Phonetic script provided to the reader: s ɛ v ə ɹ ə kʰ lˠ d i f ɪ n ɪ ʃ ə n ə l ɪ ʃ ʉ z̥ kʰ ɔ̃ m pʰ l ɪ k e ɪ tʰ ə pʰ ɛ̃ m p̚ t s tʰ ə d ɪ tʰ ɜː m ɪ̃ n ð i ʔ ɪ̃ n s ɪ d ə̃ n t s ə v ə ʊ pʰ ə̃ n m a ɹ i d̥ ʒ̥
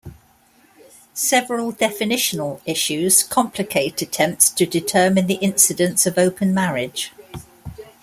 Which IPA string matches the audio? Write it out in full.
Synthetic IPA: s ɛ v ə ɹ ə lˠ d ɛ f ɪ n ɪ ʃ ə n ə l ɪ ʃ ʉ z̥ kʰ ɒ̃ m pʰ l ɪ kʰ e ɪ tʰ ə tʰ ɛ̃ m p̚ t s tʰ ə d ɪ tʰ ɜː m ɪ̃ n ð i ʔ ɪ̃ n s ɪ d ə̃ n t s ə v ə ʊ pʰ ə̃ n m a ɹ ɪ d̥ ʒ̥